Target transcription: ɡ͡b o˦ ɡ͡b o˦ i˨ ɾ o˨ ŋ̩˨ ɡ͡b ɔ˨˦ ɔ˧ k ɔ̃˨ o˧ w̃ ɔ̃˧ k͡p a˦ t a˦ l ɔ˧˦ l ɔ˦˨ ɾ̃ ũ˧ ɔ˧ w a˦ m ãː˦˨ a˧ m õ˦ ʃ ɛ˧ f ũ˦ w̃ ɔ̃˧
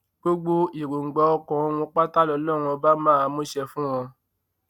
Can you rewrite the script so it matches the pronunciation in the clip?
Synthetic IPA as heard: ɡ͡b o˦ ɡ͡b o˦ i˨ ɾ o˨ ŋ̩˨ ɡ͡b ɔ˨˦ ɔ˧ k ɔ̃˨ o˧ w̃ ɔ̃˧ k͡p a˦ t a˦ l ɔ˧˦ l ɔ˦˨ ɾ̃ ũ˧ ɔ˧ b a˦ m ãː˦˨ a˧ m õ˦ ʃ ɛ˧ f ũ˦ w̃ ɔ̃˧

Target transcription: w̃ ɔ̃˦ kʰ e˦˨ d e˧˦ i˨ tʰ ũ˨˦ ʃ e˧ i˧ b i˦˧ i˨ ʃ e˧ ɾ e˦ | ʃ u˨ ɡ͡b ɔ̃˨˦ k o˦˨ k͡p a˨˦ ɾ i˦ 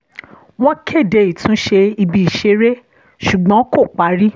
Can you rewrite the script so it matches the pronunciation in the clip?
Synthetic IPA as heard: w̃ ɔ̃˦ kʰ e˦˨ d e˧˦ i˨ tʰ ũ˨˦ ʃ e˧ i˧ b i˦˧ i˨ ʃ e˧ ɾ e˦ | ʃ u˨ ɡ͡b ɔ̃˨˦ k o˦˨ k͡p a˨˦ ɾ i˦

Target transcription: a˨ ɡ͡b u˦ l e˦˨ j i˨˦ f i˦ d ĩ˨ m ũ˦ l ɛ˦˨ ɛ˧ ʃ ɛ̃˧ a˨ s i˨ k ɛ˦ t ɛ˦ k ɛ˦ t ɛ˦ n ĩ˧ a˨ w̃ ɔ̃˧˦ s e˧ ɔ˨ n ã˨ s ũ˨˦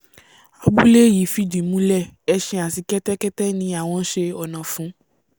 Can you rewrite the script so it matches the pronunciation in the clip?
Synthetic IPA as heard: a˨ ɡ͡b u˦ l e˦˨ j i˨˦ f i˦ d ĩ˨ m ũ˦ l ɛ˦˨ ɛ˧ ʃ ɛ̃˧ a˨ s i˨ k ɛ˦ t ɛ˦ k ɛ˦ t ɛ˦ n ĩ˧ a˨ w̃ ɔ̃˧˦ ʃ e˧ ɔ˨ n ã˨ f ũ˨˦

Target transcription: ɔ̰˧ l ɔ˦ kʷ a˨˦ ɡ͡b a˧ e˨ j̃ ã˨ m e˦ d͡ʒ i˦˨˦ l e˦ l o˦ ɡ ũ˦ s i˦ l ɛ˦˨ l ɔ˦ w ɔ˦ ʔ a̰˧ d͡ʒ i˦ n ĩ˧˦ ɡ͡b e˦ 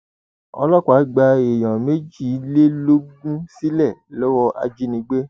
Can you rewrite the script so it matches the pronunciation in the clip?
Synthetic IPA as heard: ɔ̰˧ l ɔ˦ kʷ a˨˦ ɡ͡b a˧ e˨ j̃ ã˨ m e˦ d͡ʒ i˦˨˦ l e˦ l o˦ ɡ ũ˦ s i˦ l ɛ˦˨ l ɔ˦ w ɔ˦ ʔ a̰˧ d͡ʒ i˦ n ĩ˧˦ ɡ͡b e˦

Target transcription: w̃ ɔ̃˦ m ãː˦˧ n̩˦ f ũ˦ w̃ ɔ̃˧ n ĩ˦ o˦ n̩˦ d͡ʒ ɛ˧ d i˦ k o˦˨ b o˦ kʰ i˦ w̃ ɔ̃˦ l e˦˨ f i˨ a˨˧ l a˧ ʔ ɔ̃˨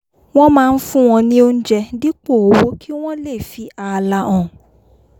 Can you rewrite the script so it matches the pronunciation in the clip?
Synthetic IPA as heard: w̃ ɔ̃˦ m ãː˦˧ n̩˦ f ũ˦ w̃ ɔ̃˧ n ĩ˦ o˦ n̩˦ d͡ʒ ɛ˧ d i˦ k͡p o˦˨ w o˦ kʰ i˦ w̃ ɔ̃˦ l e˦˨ f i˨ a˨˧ l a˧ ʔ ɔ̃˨

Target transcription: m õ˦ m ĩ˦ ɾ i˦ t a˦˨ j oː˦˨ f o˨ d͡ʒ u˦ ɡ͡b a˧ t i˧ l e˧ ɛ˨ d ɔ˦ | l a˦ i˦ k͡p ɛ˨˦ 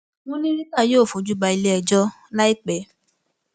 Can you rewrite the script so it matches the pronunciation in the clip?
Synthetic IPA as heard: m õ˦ n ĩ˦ ɾ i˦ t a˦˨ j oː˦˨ f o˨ d͡ʒ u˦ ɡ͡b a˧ i˧ l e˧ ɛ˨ d͡ʒ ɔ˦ | l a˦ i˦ k͡p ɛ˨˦

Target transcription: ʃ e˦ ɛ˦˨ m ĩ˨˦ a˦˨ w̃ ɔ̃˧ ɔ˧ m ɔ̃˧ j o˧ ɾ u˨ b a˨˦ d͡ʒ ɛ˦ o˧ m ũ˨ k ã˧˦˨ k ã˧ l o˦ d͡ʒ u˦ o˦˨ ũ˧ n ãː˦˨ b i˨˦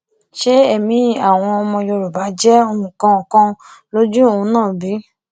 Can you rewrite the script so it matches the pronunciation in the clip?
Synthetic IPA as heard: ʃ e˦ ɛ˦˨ m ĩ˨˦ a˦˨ w̃ ɔ̃˧ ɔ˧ m ɔ̃˧ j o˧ ɾ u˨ b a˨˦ d͡ʒ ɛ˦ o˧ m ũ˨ k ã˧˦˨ k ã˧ l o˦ d͡ʒ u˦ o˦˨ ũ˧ n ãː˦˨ b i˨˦

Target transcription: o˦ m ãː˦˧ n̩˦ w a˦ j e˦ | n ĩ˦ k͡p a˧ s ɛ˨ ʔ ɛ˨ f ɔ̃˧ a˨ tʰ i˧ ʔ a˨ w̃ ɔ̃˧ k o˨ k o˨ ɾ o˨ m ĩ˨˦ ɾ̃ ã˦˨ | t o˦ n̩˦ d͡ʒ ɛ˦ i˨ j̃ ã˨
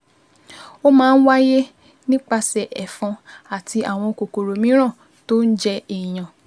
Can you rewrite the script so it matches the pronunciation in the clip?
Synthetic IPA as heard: o˦ m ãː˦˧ n̩˦ w a˦ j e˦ | n ĩ˦ k͡p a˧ s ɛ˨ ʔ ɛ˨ f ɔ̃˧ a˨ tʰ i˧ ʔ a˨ w̃ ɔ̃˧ k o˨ k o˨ ɾ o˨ m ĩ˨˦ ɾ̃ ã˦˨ | t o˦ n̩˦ d͡ʒ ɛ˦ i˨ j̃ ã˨

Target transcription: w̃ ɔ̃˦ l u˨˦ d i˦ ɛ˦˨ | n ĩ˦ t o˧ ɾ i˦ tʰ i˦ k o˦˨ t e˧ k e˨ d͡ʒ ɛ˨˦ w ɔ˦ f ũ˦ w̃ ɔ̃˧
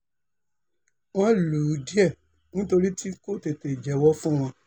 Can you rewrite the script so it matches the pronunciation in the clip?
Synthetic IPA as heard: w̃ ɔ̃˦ l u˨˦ d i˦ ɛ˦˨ | n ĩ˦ t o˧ ɾ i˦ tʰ i˦ k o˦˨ t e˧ t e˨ d͡ʒ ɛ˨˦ w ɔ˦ f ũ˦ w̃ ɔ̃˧

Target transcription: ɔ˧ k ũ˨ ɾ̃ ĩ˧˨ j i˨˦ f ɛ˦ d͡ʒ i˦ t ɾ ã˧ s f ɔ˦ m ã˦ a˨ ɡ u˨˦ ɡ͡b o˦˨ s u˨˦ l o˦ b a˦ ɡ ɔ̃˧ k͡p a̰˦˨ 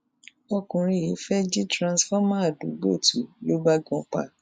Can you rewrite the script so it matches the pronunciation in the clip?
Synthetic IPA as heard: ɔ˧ k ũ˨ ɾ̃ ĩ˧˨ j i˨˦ f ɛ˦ d͡ʒ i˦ t ɾ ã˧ s f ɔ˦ m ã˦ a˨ d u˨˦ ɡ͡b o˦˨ t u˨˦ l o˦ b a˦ ɡ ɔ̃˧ k͡p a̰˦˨

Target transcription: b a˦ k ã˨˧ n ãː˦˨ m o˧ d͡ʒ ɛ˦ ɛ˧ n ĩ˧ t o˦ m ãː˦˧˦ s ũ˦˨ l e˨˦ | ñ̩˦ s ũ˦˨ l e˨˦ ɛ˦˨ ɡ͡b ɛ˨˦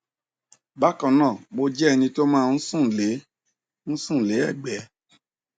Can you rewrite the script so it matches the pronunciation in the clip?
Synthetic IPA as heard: b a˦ k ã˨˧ n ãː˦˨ m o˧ d͡ʒ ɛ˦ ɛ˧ n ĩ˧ t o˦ m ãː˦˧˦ s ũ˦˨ l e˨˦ | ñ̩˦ s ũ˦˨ l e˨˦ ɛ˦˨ ɡ͡b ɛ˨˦

